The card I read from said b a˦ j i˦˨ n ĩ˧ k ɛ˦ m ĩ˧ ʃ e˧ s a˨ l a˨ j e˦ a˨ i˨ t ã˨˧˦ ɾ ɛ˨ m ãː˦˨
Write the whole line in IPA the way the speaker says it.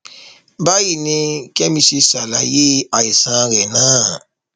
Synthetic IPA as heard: b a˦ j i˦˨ n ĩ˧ k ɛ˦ m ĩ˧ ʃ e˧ s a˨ l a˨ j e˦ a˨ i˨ s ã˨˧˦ ɾ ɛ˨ n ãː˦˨